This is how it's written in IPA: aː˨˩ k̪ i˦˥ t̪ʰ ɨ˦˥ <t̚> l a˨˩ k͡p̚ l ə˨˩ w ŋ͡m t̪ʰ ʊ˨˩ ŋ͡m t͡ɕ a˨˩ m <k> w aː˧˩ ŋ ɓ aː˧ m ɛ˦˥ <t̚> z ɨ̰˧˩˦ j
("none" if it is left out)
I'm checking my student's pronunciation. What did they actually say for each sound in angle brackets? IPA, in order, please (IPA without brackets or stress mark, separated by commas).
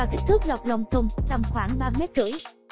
k̚, x, t̚